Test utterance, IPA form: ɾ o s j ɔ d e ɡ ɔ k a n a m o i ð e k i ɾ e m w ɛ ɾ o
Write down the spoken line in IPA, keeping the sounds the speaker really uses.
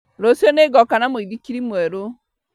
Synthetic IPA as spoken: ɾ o s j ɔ n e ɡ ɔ k a n a m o i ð i k i ɾ i m w ɛ ɾ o